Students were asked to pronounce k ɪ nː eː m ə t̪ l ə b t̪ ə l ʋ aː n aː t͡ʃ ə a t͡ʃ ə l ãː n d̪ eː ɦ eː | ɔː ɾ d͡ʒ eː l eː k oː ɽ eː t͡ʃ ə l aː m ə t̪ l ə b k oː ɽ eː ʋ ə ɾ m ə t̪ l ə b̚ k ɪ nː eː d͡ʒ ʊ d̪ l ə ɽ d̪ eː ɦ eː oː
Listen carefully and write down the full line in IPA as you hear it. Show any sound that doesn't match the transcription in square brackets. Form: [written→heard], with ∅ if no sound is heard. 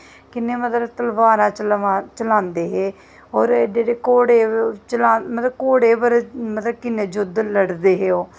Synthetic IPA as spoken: k ɪ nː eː m ə t̪ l ə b t̪ ə l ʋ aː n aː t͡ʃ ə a t͡ʃ ə l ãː n d̪ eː ɦ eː | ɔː ɾ d͡ʒ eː [l→ɽ] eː k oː ɽ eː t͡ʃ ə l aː m ə t̪ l ə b k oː ɽ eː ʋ ə ɾ m ə t̪ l ə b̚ k ɪ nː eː d͡ʒ ʊ d̪ l ə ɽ d̪ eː ɦ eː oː

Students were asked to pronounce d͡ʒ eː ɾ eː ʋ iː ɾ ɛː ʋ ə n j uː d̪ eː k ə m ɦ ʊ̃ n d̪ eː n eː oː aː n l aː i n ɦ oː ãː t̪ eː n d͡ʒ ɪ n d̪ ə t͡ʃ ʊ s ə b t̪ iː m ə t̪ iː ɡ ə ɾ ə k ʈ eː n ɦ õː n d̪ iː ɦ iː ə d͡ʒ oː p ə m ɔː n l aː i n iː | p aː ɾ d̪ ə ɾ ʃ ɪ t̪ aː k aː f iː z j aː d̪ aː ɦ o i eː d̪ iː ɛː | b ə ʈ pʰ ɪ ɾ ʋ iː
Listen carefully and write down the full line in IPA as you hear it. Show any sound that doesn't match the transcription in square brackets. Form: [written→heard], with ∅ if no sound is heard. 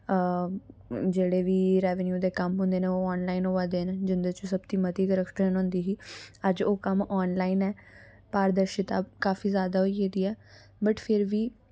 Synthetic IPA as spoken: d͡ʒ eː [ɾ→ɽ] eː ʋ iː ɾ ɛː ʋ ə n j uː d̪ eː k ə m ɦ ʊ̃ n d̪ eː n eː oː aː n l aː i n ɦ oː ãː [t̪→d̪] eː n d͡ʒ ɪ n d̪ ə t͡ʃ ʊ s ə b t̪ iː m ə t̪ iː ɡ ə ɾ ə k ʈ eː n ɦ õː n d̪ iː ɦ iː ə d͡ʒ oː [p→k] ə m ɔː n l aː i n [iː→ɛː] | p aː ɾ d̪ ə ɾ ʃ ɪ t̪ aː k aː f iː z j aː d̪ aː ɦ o i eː d̪ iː ɛː | b ə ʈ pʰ ɪ ɾ ʋ iː

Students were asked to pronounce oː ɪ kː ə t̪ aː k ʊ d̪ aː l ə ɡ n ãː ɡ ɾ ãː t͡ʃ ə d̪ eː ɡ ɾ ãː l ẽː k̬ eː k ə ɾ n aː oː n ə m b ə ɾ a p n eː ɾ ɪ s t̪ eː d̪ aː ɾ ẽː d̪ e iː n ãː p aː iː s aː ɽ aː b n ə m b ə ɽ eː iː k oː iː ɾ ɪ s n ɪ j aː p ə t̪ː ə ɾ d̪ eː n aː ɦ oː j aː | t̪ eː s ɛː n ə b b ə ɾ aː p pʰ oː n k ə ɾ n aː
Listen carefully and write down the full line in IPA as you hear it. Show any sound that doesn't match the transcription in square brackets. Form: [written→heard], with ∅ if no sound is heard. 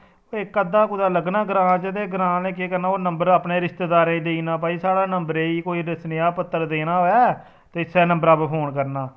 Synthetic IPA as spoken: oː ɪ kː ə [t̪→d̪] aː k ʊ d̪ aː l ə ɡ n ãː ɡ ɾ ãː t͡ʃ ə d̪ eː ɡ ɾ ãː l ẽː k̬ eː k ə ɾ n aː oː n ə m b ə ɾ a p n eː ɾ ɪ s t̪ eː d̪ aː ɾ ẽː d̪ e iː n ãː p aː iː s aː ɽ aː [b→∅] n ə m b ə [ɽ→ɾ] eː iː k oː iː ɾ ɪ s n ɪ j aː p ə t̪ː ə ɾ d̪ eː n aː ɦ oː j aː | t̪ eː s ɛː n ə [b→m] b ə ɾ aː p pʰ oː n k ə ɾ n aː

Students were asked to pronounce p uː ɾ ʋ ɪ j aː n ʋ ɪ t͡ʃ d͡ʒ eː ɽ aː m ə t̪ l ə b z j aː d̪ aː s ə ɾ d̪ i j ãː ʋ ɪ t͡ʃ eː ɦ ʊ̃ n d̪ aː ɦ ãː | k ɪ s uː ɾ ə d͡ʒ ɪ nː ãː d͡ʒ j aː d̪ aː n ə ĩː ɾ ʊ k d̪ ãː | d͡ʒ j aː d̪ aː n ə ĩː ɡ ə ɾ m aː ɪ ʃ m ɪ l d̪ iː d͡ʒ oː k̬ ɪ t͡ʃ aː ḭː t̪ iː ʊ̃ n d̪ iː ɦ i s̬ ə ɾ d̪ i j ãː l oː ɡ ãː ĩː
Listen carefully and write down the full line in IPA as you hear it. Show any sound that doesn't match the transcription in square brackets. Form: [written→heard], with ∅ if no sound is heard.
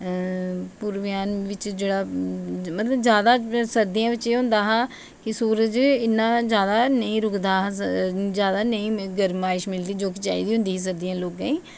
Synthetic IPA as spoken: p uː ɾ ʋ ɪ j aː n ʋ ɪ t͡ʃ d͡ʒ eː ɽ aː m ə t̪ l ə b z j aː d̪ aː s ə ɾ d̪ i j ãː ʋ ɪ t͡ʃ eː ɦ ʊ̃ n d̪ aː ɦ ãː | k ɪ s uː ɾ ə d͡ʒ ɪ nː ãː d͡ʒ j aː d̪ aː n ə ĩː ɾ ʊ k d̪ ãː | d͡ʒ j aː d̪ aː n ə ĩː ɡ ə ɾ m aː ɪ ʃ m ɪ l d̪ iː d͡ʒ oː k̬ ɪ t͡ʃ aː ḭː [t̪→d̪] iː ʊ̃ n d̪ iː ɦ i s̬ ə ɾ d̪ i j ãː l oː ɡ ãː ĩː

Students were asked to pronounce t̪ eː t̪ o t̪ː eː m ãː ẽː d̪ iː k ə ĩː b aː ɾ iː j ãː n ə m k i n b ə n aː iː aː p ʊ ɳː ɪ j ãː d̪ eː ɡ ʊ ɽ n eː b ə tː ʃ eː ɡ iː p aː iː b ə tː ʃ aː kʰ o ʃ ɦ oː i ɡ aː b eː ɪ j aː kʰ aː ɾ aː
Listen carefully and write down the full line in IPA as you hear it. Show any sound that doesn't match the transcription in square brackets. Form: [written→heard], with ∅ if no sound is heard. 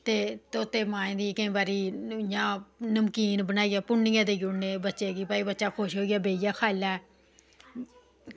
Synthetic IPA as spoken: t̪ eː t̪ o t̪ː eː m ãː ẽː d̪ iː k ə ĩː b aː ɾ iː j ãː n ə m k [i→iː] n b ə n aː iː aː p ʊ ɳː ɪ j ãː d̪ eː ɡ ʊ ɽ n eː b ə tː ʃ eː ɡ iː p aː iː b ə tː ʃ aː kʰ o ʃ ɦ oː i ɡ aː b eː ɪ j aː kʰ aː [ɾ→l] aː

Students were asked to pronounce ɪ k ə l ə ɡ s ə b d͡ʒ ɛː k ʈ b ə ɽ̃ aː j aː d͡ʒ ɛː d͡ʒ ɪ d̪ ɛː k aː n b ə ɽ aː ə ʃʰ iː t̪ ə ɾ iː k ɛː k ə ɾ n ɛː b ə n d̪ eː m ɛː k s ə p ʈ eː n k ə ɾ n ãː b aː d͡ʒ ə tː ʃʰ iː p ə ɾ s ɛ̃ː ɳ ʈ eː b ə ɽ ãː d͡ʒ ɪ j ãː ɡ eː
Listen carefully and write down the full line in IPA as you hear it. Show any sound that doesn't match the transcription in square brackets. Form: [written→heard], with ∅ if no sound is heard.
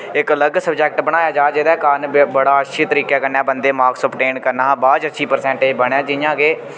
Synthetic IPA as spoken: ɪ k ə l ə ɡ s ə b d͡ʒ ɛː k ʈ b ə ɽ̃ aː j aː d͡ʒ [ɛː→aː] d͡ʒ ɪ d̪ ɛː k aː n b ə ɽ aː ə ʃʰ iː t̪ ə ɾ iː k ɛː k ə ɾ n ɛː b ə n d̪ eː m [ɛː→aː] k s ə p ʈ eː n k ə ɾ n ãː b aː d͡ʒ ə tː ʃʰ iː p ə ɾ s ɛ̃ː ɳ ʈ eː b ə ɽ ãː d͡ʒ ɪ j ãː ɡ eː

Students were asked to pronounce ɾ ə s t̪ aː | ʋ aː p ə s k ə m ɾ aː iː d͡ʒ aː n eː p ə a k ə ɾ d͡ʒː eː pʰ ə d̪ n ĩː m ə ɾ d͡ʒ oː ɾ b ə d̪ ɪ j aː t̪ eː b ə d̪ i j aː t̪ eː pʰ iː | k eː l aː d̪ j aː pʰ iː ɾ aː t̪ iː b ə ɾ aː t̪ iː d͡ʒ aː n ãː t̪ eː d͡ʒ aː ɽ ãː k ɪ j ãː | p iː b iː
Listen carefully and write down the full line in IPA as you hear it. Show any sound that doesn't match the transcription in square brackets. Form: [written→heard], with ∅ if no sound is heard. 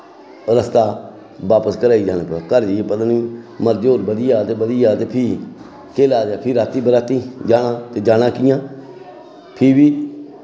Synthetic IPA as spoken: ɾ ə s t̪ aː | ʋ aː p ə s k ə [m→∅] ɾ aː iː d͡ʒ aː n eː p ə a k ə ɾ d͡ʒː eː [pʰ→p] ə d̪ n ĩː m ə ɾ d͡ʒ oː ɾ b ə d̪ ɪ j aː t̪ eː b ə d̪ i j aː t̪ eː pʰ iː | k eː l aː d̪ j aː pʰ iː ɾ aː t̪ iː b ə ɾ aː t̪ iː d͡ʒ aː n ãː t̪ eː d͡ʒ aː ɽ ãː k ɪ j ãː | [p→pʰ] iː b iː

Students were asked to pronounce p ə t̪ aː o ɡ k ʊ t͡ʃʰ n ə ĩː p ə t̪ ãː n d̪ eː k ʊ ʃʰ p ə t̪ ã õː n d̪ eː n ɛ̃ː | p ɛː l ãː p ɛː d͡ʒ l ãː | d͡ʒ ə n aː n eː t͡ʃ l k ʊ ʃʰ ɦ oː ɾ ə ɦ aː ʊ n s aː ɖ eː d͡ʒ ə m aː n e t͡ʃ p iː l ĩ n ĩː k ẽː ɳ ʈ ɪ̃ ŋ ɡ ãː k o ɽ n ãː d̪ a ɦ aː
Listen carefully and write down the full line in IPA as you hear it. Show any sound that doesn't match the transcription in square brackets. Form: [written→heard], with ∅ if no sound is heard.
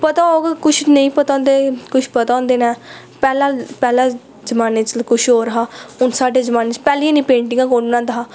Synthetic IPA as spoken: p ə t̪ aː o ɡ k ʊ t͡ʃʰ n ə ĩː p ə t̪ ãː n d̪ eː k ʊ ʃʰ p ə t̪ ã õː n d̪ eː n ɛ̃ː | p ɛː l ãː p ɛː [d͡ʒ→∅] l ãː | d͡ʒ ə [n→m] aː n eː t͡ʃ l k ʊ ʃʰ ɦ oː ɾ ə ɦ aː ʊ n s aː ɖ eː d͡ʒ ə m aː n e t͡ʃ p [iː→ɛː] l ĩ n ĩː [k→p] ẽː ɳ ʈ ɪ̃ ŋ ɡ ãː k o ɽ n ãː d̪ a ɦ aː

